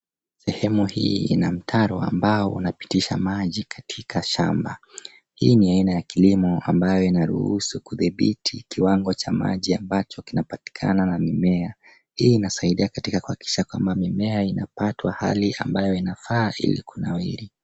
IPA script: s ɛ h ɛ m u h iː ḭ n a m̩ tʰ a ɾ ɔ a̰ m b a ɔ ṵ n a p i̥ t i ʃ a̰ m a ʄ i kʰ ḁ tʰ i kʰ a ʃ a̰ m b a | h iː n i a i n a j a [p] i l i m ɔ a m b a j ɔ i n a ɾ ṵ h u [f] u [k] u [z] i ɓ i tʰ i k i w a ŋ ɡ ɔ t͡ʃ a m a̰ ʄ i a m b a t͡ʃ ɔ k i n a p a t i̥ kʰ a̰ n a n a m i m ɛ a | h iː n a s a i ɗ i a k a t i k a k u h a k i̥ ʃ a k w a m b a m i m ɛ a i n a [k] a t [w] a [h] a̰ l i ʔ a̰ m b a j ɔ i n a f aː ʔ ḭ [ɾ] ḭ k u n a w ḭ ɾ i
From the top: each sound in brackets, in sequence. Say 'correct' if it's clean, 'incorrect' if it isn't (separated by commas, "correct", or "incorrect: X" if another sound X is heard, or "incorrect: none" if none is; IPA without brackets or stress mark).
incorrect: k, incorrect: s, correct, incorrect: ð, incorrect: p, correct, correct, incorrect: l